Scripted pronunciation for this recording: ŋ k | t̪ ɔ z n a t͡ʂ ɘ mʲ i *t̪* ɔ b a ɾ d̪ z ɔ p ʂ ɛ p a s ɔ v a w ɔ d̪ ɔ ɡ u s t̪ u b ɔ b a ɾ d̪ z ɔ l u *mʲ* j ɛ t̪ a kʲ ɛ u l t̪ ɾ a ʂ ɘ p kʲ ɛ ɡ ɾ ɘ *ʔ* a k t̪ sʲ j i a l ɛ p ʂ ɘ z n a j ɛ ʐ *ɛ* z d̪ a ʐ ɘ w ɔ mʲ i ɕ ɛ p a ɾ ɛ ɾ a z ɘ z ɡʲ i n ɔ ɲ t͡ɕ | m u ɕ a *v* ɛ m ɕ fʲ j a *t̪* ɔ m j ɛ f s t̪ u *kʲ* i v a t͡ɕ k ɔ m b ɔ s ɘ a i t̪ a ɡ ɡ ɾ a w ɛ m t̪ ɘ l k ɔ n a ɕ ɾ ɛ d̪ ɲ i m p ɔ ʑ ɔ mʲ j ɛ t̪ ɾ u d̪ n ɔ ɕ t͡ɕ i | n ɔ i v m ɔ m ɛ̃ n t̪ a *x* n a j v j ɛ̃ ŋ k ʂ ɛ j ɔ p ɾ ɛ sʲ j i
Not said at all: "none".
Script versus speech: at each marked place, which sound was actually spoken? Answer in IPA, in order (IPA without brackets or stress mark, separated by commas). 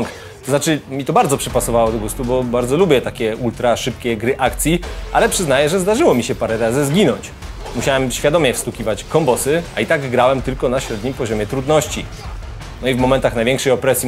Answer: t̪, bʲ, ʔ, ɛ, w, d̪, kʲ, x